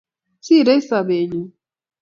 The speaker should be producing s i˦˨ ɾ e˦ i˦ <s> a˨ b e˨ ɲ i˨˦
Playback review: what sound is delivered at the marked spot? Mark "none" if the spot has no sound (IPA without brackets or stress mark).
s